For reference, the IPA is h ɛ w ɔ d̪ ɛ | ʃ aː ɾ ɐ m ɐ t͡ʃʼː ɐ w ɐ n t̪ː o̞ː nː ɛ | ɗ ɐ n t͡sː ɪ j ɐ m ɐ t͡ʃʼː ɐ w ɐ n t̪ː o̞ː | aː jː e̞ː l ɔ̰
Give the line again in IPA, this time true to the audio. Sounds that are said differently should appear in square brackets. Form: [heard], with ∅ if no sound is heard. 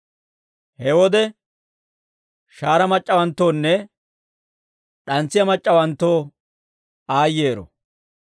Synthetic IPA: h ɛ w ɔ d̪ ɛ | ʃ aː ɾ ɐ m ɐ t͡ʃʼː ɐ w ɐ n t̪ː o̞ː nː ɛ | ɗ ɐ n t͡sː ɪ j ɐ m ɐ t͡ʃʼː ɐ w ɐ n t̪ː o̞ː | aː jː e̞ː [ɾ] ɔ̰